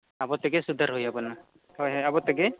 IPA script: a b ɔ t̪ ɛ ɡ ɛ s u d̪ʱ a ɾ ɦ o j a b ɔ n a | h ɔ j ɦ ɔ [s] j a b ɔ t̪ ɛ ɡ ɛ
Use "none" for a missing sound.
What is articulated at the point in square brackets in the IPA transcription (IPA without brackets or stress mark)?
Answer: none